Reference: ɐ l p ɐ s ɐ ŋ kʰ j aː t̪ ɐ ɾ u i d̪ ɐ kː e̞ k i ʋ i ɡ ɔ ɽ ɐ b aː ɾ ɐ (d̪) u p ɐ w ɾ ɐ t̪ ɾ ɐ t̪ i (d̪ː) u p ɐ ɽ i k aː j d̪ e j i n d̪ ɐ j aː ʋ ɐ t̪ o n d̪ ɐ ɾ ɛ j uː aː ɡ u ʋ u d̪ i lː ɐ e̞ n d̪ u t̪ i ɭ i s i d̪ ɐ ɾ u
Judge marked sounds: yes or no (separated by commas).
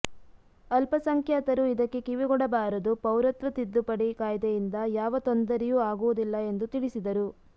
yes, yes